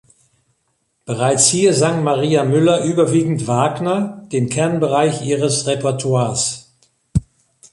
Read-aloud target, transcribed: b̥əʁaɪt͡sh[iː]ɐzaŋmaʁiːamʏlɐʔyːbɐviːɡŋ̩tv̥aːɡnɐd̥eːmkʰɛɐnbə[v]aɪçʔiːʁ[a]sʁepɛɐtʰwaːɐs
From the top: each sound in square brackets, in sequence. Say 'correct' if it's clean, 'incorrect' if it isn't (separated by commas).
correct, incorrect, incorrect